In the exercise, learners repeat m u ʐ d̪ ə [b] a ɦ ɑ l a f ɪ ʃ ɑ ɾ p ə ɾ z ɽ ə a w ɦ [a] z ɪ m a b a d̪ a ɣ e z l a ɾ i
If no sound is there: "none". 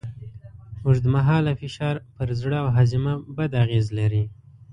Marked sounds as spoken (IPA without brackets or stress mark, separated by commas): m, a